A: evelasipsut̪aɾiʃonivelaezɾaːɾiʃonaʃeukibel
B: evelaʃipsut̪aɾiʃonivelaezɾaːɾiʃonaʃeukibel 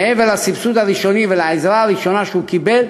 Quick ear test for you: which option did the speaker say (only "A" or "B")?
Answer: A